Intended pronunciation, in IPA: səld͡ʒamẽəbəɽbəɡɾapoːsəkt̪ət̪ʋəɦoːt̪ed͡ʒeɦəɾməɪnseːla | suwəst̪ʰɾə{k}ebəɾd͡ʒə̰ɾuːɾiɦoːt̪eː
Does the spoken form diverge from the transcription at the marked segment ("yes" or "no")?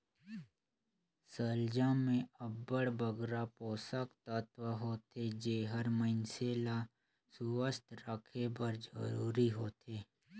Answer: yes